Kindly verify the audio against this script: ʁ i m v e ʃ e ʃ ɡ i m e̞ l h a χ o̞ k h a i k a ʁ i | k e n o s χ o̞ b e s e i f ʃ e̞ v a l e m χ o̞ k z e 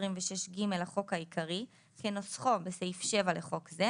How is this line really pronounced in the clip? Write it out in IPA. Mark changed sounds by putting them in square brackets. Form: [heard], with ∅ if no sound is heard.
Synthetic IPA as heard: ʁ i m v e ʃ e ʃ ɡ i m e̞ l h a χ o̞ k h a i k a ʁ i | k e n o s χ o̞ b e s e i f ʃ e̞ v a l e [∅] χ o̞ k z e